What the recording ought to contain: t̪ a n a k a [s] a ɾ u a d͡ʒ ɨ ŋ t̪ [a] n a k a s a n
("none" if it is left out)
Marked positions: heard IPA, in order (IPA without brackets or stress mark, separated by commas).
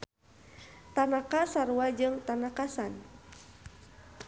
s, a